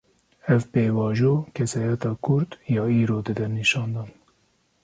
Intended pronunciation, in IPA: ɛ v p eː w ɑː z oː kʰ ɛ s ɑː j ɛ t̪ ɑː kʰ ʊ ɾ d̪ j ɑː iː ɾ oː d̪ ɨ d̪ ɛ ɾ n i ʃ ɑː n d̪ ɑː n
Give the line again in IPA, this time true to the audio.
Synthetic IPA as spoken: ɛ v p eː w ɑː ʒ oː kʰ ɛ s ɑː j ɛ t̪ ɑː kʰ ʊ ɾ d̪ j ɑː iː ɾ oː d̪ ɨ d̪ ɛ ɾ n i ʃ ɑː n d̪ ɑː n